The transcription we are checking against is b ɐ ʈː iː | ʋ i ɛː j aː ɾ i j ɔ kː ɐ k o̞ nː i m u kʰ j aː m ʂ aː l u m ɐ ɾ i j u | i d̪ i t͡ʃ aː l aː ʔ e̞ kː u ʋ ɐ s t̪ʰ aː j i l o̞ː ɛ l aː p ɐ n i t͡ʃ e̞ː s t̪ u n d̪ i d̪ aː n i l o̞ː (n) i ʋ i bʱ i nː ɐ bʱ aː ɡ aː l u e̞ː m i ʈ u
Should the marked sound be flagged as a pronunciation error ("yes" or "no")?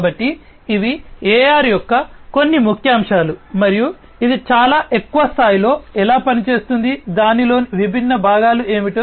no